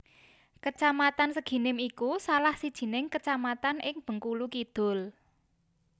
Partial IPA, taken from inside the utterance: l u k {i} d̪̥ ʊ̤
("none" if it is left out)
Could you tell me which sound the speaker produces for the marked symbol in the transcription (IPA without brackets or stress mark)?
i